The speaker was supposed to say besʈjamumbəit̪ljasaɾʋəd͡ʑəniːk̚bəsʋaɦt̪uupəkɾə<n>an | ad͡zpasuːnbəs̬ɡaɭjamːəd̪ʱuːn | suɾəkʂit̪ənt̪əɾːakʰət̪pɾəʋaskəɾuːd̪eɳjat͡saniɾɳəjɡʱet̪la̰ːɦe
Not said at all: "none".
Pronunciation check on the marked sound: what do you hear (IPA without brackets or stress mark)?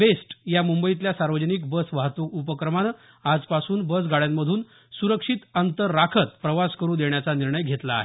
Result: m